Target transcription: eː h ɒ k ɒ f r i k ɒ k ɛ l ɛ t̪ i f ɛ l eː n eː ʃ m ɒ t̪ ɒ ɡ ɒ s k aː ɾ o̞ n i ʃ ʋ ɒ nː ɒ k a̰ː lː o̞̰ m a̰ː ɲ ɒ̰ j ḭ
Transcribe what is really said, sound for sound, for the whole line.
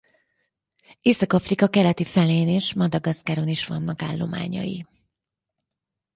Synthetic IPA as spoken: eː s ɒ k ɒ f r i k ɒ k ɛ l ɛ t̪ i f ɛ l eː n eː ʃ m ɒ d̪ ɒ ɡ ɒ s k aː ɾ o̞ n i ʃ ʋ ɒ nː ɒ k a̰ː lː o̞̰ m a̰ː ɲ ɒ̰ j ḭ